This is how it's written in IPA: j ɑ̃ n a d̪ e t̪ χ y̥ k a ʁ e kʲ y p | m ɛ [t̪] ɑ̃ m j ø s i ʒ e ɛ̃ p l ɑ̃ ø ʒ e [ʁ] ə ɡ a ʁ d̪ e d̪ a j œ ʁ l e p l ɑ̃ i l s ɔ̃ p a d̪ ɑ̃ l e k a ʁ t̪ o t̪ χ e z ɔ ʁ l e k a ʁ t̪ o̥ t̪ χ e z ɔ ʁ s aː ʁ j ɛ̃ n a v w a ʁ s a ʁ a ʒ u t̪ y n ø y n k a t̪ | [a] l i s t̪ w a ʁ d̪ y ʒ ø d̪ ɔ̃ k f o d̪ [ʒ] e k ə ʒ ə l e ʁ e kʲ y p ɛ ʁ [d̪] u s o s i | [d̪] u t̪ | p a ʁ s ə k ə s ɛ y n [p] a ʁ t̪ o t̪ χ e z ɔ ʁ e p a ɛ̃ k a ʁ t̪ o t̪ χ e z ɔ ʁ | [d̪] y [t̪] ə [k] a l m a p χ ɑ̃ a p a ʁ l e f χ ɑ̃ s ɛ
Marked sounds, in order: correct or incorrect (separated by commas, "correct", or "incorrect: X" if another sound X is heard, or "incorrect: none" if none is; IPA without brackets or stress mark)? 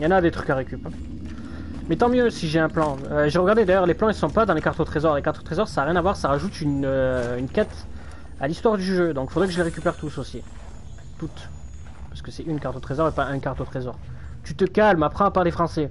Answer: correct, correct, correct, incorrect: ʁ, incorrect: t̪, incorrect: t̪, incorrect: k, incorrect: t̪, correct, correct